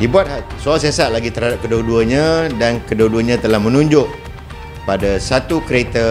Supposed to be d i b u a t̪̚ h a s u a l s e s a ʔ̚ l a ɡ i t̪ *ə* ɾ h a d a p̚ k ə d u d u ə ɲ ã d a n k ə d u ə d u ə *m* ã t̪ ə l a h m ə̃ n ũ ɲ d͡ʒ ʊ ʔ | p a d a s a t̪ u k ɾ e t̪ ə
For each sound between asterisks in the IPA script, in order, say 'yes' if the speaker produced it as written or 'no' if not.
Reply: yes, no

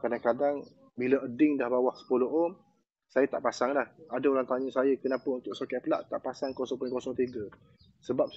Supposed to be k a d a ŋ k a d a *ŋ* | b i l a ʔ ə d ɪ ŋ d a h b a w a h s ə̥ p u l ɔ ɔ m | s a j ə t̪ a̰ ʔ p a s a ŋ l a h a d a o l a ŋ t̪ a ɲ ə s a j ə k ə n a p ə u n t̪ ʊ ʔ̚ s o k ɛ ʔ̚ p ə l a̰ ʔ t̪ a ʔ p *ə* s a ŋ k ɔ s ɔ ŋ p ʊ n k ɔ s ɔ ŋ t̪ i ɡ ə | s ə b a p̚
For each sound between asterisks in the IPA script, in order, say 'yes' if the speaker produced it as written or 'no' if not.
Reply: yes, no

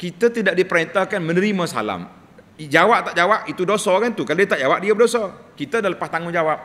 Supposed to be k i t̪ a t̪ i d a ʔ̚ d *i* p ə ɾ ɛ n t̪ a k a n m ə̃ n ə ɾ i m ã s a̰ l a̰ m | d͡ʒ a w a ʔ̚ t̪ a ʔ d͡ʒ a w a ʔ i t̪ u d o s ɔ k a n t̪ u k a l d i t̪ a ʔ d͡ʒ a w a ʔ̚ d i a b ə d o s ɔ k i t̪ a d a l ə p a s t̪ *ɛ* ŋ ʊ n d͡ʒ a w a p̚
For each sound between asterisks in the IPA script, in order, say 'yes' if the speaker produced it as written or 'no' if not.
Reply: yes, no

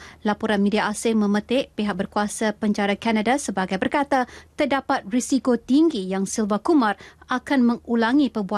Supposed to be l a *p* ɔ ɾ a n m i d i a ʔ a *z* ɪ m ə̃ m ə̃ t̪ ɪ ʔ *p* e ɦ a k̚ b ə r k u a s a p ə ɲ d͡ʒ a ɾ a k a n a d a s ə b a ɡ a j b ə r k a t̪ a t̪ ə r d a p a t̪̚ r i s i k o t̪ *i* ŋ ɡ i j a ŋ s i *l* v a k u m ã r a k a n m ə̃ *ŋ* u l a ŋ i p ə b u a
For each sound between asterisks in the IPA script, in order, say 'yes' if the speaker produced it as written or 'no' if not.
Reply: yes, no, yes, yes, yes, yes

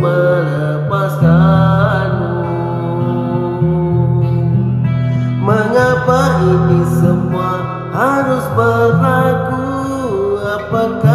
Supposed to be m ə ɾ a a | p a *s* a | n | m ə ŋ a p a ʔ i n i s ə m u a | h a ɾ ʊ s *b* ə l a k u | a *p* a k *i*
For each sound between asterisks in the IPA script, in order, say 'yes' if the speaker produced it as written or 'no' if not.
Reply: yes, yes, yes, no

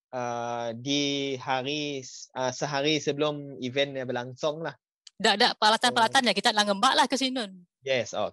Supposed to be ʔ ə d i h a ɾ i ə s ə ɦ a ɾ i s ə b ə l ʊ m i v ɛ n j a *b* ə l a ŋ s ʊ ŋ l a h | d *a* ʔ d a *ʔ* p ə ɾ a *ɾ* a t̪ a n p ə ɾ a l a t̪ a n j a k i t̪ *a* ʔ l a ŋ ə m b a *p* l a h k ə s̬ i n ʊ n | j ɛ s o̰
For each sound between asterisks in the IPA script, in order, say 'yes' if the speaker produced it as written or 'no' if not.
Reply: yes, yes, yes, no, yes, no

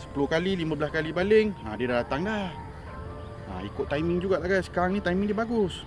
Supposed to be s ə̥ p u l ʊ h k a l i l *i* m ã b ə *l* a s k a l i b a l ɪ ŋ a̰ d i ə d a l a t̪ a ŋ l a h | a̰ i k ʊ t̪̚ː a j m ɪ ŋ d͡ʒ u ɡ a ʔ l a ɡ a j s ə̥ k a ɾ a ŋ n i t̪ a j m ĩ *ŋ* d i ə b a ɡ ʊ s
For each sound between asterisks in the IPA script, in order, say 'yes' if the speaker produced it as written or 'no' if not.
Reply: yes, yes, yes

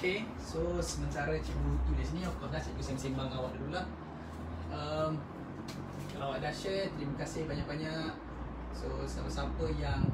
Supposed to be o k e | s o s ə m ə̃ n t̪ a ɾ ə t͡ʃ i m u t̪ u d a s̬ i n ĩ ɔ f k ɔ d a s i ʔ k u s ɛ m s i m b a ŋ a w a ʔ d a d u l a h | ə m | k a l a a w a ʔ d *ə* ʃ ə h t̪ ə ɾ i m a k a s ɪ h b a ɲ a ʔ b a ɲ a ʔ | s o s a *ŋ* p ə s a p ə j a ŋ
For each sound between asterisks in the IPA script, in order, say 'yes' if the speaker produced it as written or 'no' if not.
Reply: no, no

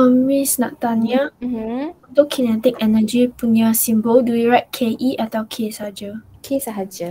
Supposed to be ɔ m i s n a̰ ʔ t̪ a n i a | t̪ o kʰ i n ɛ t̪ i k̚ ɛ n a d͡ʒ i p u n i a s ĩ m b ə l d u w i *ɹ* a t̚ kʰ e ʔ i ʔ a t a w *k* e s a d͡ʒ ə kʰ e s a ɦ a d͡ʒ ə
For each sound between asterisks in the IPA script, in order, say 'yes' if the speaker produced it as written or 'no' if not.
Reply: yes, no

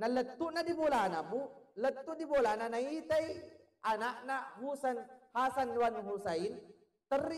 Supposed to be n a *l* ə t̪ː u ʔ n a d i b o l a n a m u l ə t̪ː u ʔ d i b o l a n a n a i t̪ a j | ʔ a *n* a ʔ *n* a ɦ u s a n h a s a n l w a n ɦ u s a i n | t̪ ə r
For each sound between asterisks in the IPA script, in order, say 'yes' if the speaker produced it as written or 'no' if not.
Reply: yes, yes, yes

